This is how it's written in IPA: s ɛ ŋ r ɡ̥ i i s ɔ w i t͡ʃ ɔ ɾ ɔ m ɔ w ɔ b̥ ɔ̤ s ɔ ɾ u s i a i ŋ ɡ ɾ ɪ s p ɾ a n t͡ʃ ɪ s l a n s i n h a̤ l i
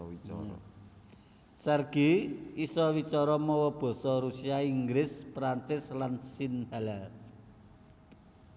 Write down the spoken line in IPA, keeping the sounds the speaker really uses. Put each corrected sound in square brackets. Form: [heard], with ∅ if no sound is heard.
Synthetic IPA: s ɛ [∅] r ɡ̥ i i s ɔ w i t͡ʃ ɔ ɾ ɔ m ɔ w ɔ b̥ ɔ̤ s ɔ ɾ u s i a i ŋ ɡ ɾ ɪ s p ɾ a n t͡ʃ ɪ s l a n s i n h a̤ l [a]